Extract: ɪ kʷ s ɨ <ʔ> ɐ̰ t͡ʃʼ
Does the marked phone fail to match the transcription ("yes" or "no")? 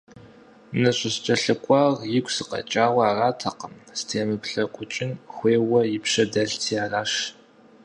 yes